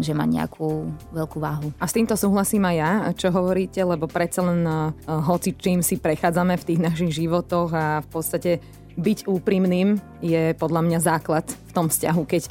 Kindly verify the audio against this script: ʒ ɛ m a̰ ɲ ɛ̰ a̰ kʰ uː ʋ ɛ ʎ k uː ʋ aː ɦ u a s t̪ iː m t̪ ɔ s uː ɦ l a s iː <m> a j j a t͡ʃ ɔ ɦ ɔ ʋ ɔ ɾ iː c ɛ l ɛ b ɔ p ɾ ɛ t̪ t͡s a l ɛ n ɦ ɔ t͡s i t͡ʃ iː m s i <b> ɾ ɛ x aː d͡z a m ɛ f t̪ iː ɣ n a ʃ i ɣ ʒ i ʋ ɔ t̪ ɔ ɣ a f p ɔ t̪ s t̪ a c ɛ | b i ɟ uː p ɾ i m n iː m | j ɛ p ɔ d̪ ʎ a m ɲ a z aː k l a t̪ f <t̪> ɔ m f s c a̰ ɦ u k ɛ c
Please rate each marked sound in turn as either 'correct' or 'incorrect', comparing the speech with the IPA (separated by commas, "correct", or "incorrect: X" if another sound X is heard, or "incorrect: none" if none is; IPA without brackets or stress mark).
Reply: correct, incorrect: p, correct